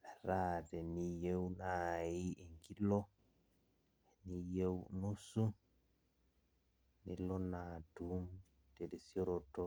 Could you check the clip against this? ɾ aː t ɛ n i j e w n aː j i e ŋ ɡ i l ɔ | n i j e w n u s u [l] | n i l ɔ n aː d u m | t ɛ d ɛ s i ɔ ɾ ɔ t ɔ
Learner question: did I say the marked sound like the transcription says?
no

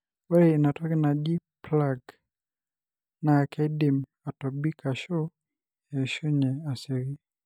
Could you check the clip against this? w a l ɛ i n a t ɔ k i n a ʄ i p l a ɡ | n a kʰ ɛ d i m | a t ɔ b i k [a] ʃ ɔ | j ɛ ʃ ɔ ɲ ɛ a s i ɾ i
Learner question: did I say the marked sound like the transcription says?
yes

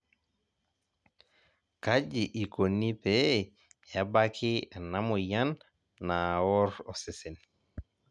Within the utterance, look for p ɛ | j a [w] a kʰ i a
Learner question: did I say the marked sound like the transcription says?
no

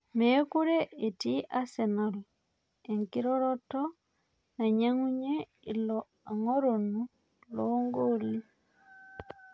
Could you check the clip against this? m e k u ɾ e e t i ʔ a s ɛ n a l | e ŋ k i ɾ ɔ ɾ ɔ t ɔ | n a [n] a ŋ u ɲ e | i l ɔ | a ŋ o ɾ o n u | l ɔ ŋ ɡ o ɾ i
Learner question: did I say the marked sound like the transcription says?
no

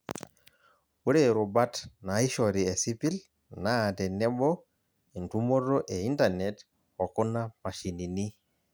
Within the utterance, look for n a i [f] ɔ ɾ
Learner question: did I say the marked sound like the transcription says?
no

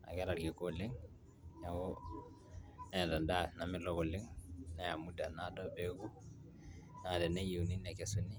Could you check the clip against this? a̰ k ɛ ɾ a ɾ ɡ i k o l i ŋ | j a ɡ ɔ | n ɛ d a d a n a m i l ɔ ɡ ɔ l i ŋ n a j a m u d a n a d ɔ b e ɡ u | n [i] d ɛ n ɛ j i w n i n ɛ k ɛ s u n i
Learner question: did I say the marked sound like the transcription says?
no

